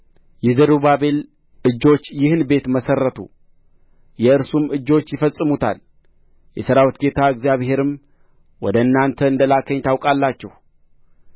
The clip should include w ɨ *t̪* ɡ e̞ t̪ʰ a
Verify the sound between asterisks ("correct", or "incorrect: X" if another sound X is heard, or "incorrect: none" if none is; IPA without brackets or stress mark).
correct